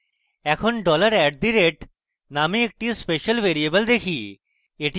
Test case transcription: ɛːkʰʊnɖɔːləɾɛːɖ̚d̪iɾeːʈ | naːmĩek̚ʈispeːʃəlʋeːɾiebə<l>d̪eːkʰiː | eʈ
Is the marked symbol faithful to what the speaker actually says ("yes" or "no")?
yes